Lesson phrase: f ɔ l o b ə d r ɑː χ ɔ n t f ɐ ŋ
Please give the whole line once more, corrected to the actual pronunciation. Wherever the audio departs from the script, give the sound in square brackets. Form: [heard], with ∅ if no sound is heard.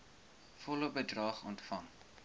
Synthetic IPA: f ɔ l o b ə d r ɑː χ ɔ n t f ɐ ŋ